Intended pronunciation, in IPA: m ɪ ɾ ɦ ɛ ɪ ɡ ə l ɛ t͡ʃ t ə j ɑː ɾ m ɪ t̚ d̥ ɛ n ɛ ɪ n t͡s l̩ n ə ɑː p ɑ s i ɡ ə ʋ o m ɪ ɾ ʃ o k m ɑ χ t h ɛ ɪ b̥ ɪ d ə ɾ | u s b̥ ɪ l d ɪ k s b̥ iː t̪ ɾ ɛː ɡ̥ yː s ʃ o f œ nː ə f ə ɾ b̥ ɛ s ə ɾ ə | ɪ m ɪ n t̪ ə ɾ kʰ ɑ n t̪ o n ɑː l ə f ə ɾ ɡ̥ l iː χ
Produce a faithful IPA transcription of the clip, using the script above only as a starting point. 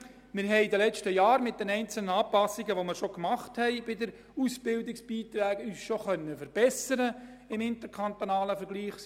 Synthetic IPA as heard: m ɪ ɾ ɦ ɛ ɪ d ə l ɛ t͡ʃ t ə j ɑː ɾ m ɪ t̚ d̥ ɛ n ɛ ɪ n t͡s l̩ n ə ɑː p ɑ s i ɡ ə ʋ o m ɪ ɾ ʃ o k m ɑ χ t h ɛ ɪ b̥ ɪ d ə ɾ | u s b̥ ɪ l d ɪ k s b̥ iː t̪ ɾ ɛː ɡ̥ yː s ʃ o χ œ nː ə f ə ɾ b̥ ɛ s ə ɾ ə | ɪ m ɪ n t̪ ə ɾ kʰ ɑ n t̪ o n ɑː l ə f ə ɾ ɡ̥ l iː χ